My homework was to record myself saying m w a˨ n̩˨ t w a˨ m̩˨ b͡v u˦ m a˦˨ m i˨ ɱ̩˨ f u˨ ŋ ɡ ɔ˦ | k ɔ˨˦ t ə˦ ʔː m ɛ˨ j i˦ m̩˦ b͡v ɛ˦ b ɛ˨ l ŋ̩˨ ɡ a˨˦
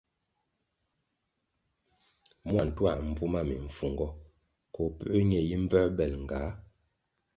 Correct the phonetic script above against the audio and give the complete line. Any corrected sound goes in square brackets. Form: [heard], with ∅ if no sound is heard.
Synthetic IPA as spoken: m w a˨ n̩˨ t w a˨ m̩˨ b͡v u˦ m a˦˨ m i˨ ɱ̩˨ f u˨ ŋ ɡ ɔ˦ | k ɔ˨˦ [p] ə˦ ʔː [ɲ] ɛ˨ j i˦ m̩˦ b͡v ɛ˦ b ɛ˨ l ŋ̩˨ ɡ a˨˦